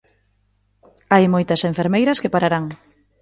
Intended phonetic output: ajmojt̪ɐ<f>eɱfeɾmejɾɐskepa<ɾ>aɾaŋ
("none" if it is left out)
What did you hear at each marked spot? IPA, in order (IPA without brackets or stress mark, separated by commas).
s, ɾ